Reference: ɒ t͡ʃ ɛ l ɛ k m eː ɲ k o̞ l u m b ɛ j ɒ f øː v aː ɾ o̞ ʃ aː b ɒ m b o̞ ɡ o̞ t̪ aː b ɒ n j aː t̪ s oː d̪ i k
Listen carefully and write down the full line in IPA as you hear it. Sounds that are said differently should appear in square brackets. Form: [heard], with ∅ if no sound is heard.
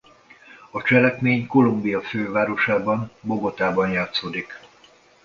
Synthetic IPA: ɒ t͡ʃ ɛ l ɛ k m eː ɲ k o̞ l u m b [i] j ɒ f øː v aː ɾ o̞ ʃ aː b ɒ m b o̞ ɡ o̞ t̪ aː b ɒ n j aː t̪ s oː d̪ i k